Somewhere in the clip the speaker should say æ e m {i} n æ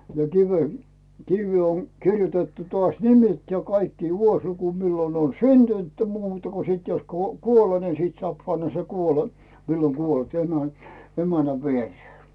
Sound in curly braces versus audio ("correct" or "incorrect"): incorrect